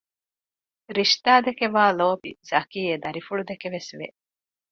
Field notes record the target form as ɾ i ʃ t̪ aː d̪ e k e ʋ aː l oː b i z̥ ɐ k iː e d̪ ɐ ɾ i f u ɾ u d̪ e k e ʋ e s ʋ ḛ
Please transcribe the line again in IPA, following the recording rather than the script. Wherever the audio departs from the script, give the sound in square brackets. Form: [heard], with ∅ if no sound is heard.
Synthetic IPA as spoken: ɾ i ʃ t̪ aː d̪ e k e ʋ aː l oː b i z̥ ɐ k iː e d̪ ɐ ɾ i f u [ɭ] u d̪ e k e ʋ e s ʋ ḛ